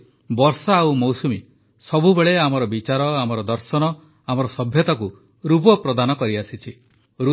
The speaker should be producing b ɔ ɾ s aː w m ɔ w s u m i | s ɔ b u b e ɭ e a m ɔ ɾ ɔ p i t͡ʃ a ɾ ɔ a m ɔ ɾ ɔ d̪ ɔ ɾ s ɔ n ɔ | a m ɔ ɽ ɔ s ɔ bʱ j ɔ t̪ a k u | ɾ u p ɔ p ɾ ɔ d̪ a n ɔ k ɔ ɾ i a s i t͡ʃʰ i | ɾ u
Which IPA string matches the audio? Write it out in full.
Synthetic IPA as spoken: b ɔ ɾ s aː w m ɔ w s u m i | s ɔ b u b e ɭ e a m ɔ ɾ ɔ b i t͡ʃ a ɾ ɔ a m ɔ ɾ ɔ d̪ ɔ ɾ s ɔ n ɔ | a m ɔ ɾ ɔ s ɔ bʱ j ɔ t̪ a k u | ɾ u p ɔ p ɾ ɔ d̪ a n ɔ k ɔ ɾ i a s i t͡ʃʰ i | ɾ u